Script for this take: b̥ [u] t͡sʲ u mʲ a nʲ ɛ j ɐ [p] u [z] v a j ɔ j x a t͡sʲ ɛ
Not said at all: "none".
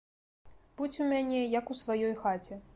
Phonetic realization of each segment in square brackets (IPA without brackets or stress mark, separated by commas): u, k, s